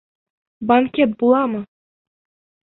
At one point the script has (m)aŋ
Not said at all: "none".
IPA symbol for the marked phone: b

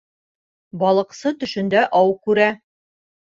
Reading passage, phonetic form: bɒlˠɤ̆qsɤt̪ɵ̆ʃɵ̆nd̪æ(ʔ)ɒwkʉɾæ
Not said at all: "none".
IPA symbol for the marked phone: ʔ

